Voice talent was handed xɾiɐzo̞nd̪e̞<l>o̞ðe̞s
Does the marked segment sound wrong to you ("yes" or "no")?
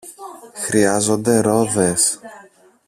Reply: yes